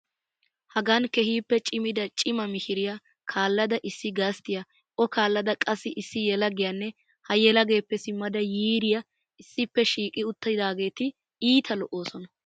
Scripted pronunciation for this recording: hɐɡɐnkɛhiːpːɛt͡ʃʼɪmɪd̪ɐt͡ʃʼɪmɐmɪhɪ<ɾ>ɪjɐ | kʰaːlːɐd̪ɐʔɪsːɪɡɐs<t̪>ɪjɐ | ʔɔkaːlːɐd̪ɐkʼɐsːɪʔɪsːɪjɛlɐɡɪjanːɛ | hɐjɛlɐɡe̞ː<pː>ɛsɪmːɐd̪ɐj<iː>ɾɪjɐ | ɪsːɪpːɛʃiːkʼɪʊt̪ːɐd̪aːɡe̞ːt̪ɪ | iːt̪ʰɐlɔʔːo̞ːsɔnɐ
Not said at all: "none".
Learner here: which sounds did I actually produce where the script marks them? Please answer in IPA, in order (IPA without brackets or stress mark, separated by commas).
ɾ, t̪, pː, iː